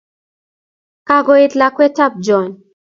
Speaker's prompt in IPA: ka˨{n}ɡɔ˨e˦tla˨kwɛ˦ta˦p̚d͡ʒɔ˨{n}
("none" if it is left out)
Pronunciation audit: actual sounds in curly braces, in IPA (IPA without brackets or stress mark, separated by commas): none, n